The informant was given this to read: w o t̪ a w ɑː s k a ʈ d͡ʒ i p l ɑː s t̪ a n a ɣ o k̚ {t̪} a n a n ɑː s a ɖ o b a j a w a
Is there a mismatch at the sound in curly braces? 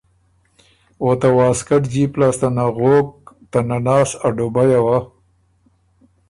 no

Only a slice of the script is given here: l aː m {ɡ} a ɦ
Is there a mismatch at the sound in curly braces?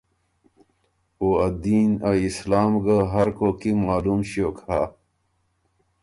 no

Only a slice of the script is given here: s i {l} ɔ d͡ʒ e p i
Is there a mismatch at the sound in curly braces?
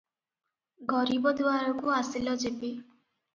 no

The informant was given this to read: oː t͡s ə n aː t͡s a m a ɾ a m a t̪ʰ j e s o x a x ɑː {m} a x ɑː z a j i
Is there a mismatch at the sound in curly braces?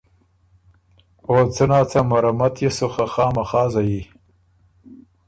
no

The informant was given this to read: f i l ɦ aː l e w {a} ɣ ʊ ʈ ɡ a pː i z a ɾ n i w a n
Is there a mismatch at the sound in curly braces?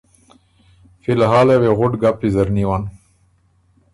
yes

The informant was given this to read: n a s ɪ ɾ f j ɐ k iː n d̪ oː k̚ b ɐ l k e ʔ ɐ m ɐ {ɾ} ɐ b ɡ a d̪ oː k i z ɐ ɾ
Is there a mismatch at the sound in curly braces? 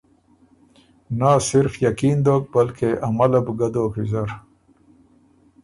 yes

